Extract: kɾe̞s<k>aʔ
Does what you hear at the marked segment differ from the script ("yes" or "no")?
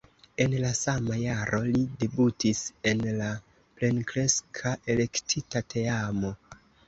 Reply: yes